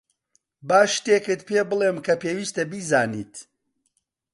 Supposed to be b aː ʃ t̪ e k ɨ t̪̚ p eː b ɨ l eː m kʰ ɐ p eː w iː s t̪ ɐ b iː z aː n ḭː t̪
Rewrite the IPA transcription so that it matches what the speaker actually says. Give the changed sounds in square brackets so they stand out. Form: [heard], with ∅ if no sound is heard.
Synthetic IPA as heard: b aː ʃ t̪ e k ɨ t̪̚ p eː b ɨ l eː m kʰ ɐ p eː w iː s t̪ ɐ b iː z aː n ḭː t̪